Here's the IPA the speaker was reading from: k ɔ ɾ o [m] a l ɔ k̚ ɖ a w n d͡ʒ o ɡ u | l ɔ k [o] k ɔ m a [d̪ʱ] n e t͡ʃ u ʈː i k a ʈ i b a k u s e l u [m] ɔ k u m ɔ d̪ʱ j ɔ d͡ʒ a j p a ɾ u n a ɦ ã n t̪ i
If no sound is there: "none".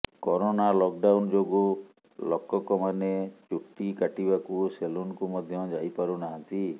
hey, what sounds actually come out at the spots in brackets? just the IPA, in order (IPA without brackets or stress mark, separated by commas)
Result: n, ɔ, none, n